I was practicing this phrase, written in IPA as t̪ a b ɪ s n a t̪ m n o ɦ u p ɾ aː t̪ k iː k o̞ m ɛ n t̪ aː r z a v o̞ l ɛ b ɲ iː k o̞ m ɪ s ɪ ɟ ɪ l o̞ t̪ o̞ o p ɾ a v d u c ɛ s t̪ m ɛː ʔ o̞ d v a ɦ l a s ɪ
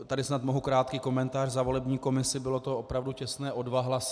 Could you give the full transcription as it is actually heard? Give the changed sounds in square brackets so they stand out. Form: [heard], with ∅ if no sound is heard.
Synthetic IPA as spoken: t̪ a [d] ɪ s n a t̪ m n o ɦ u [k] ɾ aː t̪ k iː k o̞ m ɛ n t̪ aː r z a v o̞ l ɛ b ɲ iː k o̞ m ɪ s ɪ [b] ɪ l o̞ t̪ o̞ o p ɾ a v d u c ɛ s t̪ [n] ɛː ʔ o̞ d v a ɦ l a s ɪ